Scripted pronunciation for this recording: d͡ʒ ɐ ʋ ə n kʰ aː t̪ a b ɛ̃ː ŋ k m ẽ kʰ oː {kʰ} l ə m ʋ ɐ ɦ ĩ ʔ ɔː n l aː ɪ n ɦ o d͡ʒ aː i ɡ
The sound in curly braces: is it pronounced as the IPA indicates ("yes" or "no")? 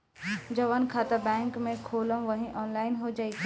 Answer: no